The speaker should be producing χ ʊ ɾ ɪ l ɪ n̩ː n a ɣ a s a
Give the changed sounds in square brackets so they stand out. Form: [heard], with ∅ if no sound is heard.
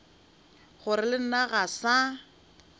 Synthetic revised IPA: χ ʊ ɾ ɪ l ɪ [n̩] n a ɣ a s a